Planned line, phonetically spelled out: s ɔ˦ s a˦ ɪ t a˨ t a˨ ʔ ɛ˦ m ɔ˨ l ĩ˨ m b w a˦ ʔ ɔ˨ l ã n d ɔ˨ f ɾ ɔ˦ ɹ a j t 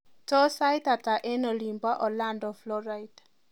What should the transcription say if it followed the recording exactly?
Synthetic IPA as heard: t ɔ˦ s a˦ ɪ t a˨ t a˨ ʔ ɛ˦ n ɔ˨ l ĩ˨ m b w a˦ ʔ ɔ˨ l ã n d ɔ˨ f l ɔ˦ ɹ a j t